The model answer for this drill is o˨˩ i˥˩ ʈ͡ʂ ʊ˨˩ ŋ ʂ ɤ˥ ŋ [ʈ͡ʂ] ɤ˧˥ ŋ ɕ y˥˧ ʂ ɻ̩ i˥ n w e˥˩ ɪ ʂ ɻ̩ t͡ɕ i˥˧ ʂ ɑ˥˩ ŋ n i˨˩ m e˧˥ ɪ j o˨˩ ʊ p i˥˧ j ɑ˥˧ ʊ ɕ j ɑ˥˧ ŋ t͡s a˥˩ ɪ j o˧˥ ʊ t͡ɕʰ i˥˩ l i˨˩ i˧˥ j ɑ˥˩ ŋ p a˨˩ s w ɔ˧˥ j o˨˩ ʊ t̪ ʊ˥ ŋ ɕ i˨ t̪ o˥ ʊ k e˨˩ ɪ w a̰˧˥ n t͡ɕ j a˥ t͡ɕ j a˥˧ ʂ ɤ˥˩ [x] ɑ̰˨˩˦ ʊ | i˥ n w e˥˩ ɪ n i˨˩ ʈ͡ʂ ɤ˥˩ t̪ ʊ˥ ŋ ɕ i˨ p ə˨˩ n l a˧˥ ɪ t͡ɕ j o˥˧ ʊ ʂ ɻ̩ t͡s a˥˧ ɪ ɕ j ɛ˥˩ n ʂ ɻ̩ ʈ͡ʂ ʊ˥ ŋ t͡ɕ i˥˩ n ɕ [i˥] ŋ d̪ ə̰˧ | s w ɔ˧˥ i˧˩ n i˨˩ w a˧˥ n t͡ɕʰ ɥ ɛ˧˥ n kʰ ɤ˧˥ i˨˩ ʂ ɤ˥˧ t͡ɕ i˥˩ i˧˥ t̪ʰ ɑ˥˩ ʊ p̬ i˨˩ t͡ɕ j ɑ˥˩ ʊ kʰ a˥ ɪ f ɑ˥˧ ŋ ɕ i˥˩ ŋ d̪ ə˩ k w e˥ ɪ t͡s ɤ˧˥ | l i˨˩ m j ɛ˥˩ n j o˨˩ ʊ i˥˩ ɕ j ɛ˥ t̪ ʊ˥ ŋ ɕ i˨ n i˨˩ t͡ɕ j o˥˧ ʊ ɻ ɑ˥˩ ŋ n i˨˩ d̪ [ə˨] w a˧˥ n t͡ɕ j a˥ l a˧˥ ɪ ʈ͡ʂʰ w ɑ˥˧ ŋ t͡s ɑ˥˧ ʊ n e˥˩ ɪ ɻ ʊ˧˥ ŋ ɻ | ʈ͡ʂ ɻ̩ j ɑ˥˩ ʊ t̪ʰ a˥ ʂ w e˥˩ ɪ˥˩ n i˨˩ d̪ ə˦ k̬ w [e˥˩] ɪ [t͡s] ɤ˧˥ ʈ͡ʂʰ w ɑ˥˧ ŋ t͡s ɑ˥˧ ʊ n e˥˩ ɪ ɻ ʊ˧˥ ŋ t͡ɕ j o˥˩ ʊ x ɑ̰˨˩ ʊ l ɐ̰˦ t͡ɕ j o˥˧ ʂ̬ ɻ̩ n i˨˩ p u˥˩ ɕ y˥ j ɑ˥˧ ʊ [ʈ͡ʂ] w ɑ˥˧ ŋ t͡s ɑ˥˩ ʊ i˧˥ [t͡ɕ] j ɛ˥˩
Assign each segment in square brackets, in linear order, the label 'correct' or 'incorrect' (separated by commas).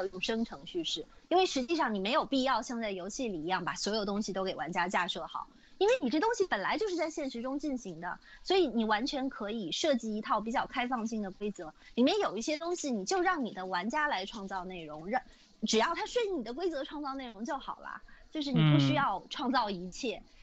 incorrect, correct, incorrect, incorrect, incorrect, correct, incorrect, incorrect